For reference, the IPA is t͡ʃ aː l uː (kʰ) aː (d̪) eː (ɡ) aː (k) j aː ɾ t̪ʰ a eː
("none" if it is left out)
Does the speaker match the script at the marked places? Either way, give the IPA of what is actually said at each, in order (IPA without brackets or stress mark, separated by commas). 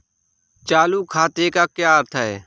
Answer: kʰ, t̪, k, k